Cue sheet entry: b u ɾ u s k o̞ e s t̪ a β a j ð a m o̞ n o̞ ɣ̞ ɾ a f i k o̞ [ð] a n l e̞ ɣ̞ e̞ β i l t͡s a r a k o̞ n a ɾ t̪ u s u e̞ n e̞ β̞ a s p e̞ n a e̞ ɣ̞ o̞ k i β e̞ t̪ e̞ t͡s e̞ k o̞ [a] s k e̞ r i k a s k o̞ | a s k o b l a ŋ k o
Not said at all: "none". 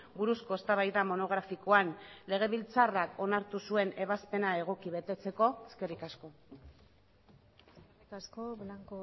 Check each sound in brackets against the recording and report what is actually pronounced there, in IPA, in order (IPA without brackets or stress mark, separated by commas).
none, e